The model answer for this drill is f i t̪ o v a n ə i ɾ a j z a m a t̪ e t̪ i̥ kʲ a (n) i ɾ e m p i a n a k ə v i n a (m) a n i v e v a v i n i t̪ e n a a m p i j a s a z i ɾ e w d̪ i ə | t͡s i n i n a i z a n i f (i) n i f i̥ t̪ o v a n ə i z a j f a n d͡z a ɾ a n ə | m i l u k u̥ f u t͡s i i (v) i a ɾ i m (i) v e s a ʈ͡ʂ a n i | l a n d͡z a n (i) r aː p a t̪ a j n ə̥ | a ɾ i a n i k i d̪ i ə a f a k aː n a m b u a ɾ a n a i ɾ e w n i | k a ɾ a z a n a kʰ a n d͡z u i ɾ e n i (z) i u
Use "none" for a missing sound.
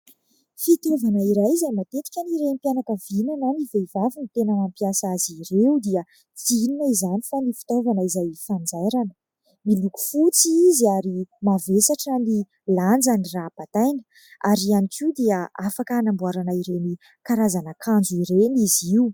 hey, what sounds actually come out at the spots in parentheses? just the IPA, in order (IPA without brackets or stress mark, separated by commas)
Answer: n, n, a, z, a, i, z